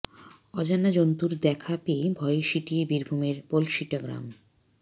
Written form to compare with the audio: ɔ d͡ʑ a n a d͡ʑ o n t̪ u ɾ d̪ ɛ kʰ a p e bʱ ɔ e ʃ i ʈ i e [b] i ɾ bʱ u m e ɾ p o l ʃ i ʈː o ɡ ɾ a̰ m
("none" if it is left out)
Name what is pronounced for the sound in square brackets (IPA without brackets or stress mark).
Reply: b